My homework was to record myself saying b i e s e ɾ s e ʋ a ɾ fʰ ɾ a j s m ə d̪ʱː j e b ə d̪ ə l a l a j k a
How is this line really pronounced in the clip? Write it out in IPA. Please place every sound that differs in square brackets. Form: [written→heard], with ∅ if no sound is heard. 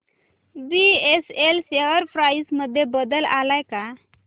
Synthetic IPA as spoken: b i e s e [ɾ→l] s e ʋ [a→ə] ɾ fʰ ɾ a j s m ə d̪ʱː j e b ə d̪ ə l a l a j k a